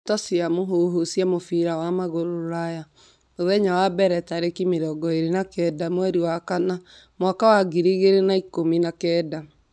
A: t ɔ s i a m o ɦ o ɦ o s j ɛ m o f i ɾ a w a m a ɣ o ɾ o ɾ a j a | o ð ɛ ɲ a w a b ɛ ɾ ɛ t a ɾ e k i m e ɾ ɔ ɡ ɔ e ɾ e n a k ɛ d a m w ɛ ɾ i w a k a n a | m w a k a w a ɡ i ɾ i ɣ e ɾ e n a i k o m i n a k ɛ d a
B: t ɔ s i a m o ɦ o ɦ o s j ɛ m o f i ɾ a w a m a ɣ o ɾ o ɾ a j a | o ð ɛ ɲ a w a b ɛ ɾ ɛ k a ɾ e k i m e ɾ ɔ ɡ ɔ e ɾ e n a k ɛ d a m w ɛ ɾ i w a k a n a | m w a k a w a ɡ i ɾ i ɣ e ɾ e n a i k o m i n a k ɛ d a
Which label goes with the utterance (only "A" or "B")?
A